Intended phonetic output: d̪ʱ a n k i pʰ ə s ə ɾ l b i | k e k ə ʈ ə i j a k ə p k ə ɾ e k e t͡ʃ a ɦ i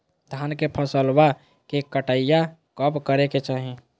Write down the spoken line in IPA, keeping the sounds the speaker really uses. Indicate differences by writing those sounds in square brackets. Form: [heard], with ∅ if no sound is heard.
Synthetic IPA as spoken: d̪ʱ a n k [e] pʰ ə s ə [∅] l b [a] | k e k ə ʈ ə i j a k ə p k ə ɾ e k e t͡ʃ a ɦ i